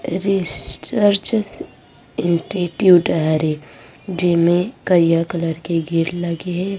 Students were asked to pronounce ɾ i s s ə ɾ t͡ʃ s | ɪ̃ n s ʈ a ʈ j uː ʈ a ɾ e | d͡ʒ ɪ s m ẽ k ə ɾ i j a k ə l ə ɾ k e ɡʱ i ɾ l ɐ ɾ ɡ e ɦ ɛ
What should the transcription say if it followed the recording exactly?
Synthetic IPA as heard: ɾ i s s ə ɾ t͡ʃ s | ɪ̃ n s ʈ i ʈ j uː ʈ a ɾ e | d͡ʒ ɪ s m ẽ k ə ɾ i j a k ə l ə ɾ k e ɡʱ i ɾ l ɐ ɡ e ɦ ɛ